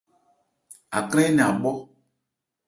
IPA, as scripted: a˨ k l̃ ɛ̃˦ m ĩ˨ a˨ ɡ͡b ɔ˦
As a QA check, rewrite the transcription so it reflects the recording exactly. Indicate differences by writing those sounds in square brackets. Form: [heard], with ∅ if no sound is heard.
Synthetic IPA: a˨ k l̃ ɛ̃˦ [n] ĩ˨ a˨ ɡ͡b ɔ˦